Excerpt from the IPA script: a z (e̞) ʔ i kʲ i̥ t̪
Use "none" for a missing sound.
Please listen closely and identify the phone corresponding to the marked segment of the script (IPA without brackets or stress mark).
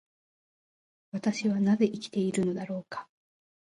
e̞